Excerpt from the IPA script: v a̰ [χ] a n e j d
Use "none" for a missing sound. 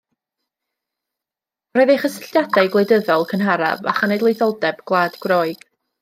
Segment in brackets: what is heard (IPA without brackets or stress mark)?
χ